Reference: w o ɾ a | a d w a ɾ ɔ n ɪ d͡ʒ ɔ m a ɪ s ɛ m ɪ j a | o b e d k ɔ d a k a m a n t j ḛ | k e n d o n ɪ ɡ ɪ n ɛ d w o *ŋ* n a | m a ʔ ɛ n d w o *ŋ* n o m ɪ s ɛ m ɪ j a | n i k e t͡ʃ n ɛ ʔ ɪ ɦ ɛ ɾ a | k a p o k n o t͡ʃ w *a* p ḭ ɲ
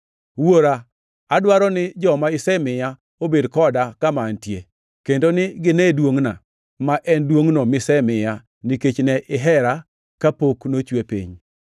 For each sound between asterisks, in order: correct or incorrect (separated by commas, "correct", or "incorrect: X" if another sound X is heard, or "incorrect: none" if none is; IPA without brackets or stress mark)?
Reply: correct, correct, incorrect: e